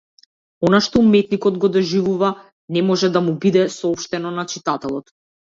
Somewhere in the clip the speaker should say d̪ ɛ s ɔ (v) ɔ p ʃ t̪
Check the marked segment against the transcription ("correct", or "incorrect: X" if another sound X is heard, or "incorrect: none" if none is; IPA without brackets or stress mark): incorrect: none